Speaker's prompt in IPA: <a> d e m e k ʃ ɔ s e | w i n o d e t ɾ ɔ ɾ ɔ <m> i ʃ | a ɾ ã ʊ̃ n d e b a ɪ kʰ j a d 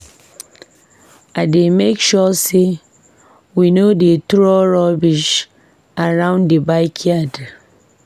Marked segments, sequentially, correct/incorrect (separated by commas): correct, incorrect